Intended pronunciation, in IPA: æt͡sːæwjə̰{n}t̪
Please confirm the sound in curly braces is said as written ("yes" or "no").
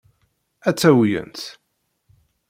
yes